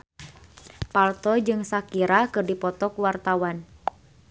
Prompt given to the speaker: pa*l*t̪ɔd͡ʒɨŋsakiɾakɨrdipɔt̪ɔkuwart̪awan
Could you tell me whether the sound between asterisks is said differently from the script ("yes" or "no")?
no